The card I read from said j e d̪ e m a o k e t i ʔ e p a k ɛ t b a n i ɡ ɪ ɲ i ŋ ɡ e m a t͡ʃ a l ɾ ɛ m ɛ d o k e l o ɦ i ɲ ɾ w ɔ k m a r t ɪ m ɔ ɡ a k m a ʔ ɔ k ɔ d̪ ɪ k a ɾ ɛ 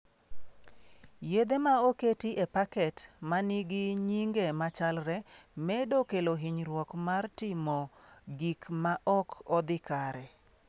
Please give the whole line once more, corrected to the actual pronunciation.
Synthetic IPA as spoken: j e d̪ e m a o k e t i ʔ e p a k ɛ t m a n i ɡ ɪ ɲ i ŋ ɡ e m a t͡ʃ a l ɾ ɛ m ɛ d o k e l o ɦ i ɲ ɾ w ɔ k m a r t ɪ m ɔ ɡ i k m a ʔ ɔ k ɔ d̪ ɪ k a ɾ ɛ